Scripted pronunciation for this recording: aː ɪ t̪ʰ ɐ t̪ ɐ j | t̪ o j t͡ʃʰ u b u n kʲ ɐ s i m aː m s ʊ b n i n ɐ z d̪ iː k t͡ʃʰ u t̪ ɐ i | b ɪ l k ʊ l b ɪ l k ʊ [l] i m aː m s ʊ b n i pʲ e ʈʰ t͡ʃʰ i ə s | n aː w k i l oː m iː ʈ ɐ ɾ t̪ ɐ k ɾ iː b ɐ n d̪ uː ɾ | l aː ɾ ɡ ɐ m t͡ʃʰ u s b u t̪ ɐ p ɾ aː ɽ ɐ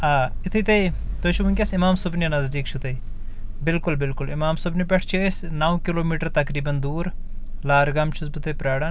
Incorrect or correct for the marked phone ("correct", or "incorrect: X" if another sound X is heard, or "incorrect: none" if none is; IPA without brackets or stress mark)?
correct